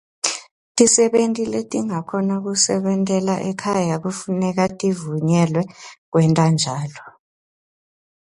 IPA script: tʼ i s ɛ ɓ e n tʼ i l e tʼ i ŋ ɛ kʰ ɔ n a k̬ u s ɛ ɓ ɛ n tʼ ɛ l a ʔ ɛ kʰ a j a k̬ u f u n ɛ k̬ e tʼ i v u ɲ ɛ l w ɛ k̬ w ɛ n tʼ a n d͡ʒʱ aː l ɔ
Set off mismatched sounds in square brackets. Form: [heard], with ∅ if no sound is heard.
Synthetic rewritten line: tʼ i s ɛ ɓ e n tʼ i l e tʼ i ŋ [a] kʰ ɔ n a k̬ u s ɛ ɓ ɛ n tʼ ɛ l a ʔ ɛ kʰ a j a k̬ u f u n ɛ k̬ [a] tʼ i v u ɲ ɛ l w ɛ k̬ w ɛ n tʼ a n d͡ʒʱ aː l ɔ